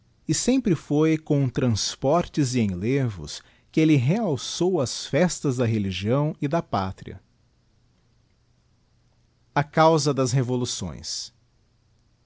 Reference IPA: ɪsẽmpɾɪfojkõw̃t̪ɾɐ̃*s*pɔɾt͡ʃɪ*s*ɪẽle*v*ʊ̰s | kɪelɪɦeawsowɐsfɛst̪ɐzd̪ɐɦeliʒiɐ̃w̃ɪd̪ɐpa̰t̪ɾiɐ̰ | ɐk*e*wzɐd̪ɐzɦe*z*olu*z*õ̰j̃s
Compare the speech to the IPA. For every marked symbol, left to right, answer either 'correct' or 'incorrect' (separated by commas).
correct, incorrect, correct, incorrect, incorrect, incorrect